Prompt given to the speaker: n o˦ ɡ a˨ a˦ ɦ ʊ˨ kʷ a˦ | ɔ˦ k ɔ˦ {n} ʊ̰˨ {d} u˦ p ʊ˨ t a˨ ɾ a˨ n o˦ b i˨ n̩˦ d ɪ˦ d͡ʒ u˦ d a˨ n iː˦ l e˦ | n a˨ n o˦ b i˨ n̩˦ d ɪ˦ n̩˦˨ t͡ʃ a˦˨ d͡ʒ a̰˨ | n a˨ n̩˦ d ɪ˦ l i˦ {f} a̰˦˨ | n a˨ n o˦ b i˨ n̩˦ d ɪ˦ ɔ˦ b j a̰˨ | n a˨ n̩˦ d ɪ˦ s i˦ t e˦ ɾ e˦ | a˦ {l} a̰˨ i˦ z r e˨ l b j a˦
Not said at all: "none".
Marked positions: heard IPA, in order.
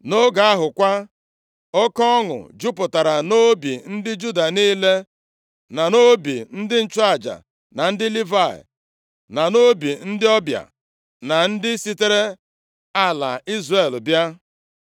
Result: ŋ, d͡ʒ, v, l

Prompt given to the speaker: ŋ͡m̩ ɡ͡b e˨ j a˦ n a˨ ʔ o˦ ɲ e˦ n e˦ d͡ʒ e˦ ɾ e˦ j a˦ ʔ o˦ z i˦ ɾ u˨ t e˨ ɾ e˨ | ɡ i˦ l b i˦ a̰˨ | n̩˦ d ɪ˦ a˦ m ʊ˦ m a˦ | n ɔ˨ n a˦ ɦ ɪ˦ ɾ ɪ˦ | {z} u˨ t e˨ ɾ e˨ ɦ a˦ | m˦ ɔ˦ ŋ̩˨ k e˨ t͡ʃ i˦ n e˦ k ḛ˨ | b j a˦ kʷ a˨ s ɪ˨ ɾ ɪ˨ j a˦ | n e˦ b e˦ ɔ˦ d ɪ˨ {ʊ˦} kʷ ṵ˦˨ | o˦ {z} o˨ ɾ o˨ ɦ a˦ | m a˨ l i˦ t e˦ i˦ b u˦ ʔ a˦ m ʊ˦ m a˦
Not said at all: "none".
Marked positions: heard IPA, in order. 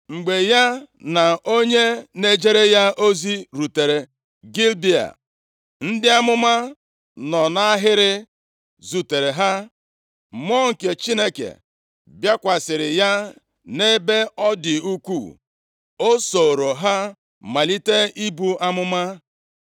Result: z, u˦, s

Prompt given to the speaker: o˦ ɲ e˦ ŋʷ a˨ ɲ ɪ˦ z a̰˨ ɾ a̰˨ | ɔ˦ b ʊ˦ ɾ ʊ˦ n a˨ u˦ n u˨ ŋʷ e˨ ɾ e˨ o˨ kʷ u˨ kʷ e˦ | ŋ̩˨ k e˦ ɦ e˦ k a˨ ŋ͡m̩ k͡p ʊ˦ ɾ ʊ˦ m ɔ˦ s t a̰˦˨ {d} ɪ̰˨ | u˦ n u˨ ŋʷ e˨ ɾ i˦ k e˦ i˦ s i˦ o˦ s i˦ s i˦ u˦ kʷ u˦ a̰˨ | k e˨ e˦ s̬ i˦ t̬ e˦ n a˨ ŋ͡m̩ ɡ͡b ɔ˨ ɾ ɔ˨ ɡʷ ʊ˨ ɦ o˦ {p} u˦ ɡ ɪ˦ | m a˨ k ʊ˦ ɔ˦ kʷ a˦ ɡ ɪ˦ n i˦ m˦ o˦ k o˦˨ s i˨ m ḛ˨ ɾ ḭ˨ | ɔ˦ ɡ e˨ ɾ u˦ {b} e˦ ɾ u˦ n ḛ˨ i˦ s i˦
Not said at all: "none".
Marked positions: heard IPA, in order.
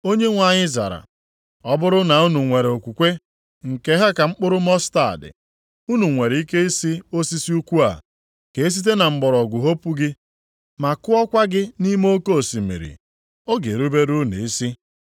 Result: d, p, b

